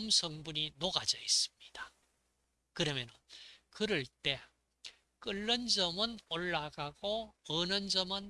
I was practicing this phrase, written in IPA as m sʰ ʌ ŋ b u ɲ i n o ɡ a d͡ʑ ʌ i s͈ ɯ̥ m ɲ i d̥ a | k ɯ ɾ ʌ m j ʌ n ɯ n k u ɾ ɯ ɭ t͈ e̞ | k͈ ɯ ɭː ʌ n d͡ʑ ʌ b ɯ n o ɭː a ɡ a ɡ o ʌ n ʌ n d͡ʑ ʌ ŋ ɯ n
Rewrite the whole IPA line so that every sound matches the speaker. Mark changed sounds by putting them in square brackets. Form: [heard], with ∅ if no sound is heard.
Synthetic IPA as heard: m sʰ ʌ ŋ b u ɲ i n o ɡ a d͡ʑ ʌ i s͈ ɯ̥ m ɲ i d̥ a | k ɯ ɾ ʌ m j ʌ n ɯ n k [ɯ] ɾ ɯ ɭ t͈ e̞ | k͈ ɯ ɭː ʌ n d͡ʑ ʌ [m] ɯ n o ɭː a ɡ a ɡ o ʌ n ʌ n d͡ʑ ʌ [m] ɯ n